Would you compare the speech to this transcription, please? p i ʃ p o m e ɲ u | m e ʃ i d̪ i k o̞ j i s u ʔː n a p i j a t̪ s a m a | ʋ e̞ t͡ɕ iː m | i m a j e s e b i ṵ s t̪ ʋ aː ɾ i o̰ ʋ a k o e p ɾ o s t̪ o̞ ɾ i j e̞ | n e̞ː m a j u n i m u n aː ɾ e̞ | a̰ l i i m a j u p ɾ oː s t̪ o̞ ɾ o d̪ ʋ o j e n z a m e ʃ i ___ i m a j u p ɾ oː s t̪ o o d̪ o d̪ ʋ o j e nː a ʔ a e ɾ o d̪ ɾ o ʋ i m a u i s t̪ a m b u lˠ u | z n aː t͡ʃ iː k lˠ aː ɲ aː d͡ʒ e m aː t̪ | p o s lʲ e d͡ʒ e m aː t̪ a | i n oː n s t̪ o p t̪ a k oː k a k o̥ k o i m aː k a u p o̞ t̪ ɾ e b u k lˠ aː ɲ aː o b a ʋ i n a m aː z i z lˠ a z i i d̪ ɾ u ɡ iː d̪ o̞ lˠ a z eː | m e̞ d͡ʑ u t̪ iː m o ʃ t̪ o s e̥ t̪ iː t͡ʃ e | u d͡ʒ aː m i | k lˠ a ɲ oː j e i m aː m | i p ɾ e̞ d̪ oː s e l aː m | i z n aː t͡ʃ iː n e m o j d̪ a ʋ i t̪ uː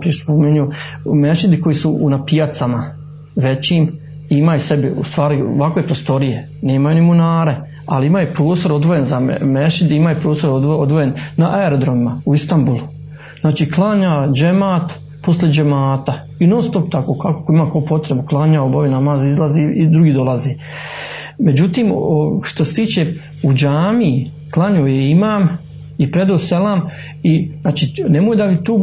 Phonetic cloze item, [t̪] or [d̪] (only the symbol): d̪